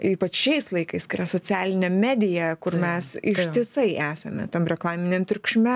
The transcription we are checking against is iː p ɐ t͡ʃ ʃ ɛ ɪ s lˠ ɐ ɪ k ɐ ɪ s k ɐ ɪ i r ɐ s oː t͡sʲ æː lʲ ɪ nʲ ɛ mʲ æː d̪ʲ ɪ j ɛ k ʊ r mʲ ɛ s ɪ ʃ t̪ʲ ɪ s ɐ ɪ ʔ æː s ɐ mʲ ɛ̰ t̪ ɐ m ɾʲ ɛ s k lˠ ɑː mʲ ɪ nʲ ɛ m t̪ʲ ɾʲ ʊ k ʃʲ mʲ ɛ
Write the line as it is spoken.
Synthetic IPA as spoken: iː p ɐ t͡ʃ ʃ ɛ ɪ s lˠ ɐ ɪ k ɐ ɪ s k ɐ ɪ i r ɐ s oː t͡sʲ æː lʲ ɪ nʲ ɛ mʲ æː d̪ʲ ɪ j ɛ k ʊ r mʲ ɛ s ɪ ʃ t̪ʲ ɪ s ɐ ɪ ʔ æː s ɐ mʲ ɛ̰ t̪ ɐ m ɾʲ ɛ k lˠ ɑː mʲ ɪ nʲ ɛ m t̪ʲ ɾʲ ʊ k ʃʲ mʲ ɛ